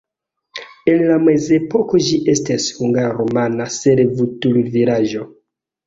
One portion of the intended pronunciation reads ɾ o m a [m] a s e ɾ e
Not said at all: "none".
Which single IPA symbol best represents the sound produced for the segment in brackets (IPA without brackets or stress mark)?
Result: n